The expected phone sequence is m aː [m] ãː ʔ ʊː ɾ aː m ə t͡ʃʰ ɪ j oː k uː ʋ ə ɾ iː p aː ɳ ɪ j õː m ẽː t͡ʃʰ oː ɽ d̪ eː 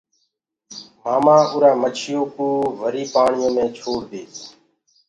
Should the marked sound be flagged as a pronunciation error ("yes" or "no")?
no